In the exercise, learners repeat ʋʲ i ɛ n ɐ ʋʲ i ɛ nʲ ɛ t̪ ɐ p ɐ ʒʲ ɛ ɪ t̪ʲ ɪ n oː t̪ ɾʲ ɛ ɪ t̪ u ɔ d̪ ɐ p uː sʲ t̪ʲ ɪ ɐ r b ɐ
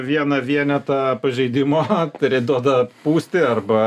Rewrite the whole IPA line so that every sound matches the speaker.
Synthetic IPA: ʋʲ i ɛ n ɐ ʋʲ i ɛ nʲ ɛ t̪ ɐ p ɐ ʒʲ ɛ ɪ d̪ʲ ɪ m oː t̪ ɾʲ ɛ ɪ d̪ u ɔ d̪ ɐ p uː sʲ t̪ʲ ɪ ɐ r b ɐ